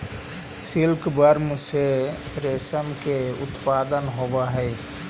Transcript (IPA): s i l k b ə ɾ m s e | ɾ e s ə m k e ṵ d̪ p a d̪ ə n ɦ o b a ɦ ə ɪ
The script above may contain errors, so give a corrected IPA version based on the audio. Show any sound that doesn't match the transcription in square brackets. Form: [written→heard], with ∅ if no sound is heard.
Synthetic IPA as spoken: s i l k b ə ɾ m s e | ɾ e s ə m k e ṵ [d̪→t̪] p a d̪ ə n ɦ o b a ɦ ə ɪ